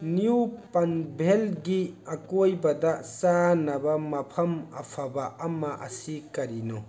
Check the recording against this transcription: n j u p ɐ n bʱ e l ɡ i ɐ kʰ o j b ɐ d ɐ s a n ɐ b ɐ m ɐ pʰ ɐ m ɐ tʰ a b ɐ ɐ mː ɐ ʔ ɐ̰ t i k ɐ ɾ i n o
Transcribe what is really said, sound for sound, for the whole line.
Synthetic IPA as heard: n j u p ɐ n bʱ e l ɡ i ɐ k o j b ɐ d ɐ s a n ɐ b ɐ m ɐ pʰ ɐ m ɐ pʰ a b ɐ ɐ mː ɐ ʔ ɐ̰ s i k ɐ ɾ i n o